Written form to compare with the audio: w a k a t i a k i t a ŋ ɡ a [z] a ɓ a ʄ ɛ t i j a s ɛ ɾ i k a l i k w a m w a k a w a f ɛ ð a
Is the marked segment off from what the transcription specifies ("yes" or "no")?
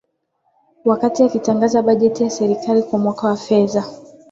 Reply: no